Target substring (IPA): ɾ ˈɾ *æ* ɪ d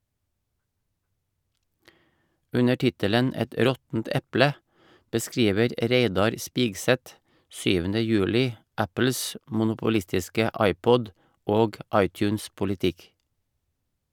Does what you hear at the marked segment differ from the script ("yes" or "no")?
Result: yes